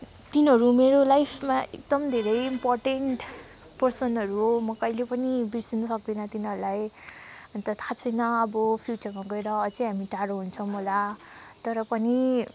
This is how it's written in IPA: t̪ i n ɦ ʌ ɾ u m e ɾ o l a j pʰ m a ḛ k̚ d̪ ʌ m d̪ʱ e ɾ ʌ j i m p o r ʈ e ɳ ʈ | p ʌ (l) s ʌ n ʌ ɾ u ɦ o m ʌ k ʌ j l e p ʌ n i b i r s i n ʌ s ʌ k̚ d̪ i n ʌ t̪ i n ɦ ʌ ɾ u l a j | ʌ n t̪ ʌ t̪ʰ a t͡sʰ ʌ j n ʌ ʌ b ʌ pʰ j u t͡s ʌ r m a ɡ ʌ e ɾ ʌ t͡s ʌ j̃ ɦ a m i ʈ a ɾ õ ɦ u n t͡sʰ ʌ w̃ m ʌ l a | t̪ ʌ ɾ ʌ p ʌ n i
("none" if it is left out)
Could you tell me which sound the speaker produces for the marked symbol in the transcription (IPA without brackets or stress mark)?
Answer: r